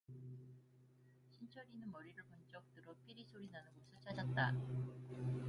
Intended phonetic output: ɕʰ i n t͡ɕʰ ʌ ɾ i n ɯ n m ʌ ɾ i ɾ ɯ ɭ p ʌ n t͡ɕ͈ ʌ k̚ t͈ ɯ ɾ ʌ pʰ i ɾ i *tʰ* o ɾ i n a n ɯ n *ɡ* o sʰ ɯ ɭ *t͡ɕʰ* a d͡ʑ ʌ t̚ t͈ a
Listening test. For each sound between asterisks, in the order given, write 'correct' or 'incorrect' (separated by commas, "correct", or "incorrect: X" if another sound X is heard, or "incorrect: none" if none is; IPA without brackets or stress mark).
incorrect: sʰ, correct, correct